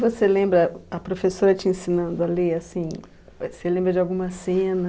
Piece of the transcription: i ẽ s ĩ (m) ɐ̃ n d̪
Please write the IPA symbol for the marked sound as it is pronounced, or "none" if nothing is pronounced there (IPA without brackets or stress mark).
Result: n